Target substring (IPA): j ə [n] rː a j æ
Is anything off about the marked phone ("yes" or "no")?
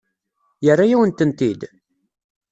yes